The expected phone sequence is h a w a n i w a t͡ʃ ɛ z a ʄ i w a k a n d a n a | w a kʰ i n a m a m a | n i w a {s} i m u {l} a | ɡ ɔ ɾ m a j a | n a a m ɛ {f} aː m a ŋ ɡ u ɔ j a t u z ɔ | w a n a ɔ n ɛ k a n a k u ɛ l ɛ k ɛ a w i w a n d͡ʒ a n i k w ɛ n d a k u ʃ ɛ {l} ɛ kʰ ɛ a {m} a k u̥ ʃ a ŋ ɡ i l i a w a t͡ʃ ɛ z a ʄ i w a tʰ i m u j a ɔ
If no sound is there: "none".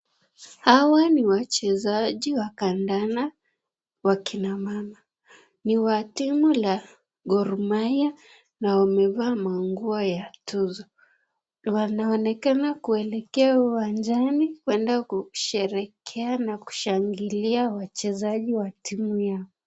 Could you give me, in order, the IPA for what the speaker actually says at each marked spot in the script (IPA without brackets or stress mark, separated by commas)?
t, l, v, ɾ, n